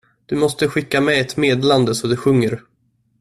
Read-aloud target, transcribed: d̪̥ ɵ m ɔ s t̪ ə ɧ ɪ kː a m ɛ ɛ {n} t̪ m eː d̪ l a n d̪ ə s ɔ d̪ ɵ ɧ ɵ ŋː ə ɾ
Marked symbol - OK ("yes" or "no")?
no